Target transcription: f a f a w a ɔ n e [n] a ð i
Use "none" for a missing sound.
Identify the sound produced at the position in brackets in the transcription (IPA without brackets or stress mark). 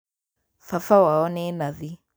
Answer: n